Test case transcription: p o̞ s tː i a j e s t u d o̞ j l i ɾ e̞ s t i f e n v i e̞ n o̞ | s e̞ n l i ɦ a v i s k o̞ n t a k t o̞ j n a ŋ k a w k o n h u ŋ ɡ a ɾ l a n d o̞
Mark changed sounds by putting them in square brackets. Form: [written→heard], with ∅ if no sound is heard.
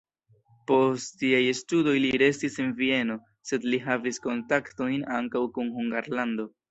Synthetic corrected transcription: p o̞ s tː i a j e s t u d o̞ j l i ɾ e̞ s t i [f→s] e n v i e̞ n o̞ | s e̞ [n→d] l i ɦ a v i s k o̞ n t a k t o̞ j n a ŋ k a w k [o→u] n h u ŋ ɡ a ɾ l a n d o̞